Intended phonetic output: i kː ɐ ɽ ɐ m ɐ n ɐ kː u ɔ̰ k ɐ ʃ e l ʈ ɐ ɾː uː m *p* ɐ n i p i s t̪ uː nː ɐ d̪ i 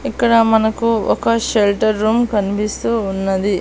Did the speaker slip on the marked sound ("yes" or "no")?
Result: yes